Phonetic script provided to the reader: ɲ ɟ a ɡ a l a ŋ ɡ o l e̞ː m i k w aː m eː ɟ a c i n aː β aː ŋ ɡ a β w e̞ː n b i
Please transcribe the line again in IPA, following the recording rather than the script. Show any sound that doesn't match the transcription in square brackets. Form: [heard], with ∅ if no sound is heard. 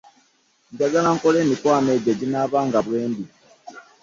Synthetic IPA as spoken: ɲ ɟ a ɡ a l a ŋ [k] o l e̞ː m i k w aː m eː ɟ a [ɟ] i n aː β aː ŋ ɡ a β w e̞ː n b i